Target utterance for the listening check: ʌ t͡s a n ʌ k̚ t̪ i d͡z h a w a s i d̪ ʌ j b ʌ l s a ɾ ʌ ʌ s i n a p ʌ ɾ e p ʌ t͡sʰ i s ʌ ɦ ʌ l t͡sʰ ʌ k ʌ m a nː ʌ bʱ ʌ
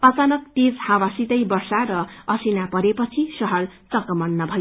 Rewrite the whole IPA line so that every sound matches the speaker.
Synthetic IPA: ʌ t͡s a n ʌ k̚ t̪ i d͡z h a w a s i t̪ ʌ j b ʌ r s a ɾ ʌ ʌ s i n a p ʌ ɾ e p ʌ t͡sʰ i s ʌ ɦ ʌ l t͡s ʌ k ʌ m ʌ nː ʌ bʱ ʌ